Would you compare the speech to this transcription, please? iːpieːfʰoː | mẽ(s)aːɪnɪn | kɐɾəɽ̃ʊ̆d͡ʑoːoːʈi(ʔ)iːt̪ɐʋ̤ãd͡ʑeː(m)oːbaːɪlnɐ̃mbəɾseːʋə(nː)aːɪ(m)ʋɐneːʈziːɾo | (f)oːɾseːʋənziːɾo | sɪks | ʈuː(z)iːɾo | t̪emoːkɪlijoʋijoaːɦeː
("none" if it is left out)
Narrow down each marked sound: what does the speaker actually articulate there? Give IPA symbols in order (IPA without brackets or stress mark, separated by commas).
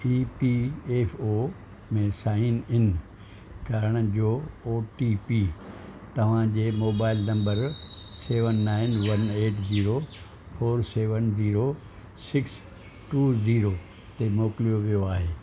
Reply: s, p, m, nː, n, f, z